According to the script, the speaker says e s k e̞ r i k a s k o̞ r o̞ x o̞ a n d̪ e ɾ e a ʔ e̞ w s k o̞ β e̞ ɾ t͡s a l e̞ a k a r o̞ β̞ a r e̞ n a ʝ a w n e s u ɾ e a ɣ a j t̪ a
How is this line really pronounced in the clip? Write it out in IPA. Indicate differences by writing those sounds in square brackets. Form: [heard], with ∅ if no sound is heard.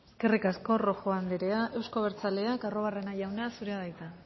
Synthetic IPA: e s k e̞ r i k a s k o̞ r o̞ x o̞ a n d̪ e ɾ e a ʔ e̞ w s k o̞ β e̞ ɾ t͡s a l e̞ a k a r o̞ β̞ a r e̞ n a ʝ a w n [a] s u ɾ e a [ð] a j t̪ a